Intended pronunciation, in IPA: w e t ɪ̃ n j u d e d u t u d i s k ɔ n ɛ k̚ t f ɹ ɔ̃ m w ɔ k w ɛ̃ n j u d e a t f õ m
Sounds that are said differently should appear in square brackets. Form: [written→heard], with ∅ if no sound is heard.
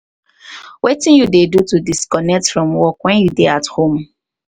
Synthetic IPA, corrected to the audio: w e t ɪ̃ n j u d e d u t u d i s k ɔ n ɛ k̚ t f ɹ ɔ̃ m w ɔ k w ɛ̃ n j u d e a t [f→h] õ m